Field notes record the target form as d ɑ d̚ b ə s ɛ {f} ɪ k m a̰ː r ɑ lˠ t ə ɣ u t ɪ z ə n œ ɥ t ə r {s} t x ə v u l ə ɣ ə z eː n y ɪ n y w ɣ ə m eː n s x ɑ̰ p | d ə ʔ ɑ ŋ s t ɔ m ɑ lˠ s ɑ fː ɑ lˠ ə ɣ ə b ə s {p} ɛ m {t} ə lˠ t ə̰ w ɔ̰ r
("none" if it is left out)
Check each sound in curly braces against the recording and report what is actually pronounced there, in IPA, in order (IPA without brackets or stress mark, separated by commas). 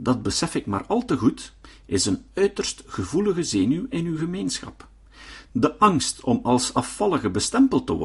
f, s, t, p